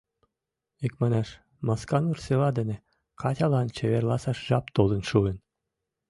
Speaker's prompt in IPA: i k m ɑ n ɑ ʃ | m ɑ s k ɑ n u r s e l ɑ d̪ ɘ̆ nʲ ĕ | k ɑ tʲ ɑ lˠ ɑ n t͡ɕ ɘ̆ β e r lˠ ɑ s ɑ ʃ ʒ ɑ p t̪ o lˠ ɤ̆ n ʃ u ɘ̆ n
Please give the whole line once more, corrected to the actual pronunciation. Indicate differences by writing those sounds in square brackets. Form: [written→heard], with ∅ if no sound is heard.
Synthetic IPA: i k m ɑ n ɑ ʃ | m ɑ s k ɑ n u r s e l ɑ d̪ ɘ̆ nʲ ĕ | k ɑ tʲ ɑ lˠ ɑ n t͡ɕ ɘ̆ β e r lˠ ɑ s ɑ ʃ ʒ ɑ p t̪ o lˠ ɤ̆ n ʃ u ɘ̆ n